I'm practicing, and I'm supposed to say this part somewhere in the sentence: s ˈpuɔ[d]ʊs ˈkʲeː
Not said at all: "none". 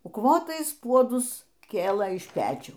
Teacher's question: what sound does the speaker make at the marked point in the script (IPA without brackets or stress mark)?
d